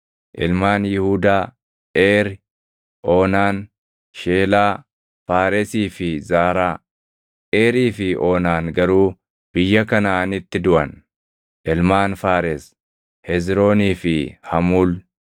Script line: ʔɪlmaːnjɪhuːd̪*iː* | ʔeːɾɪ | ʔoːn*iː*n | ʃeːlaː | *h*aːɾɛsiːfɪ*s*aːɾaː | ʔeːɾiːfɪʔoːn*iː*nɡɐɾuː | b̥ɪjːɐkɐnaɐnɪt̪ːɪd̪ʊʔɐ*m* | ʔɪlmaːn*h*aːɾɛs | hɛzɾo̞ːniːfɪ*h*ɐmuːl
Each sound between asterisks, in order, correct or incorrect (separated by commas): incorrect, incorrect, incorrect, incorrect, incorrect, incorrect, incorrect, correct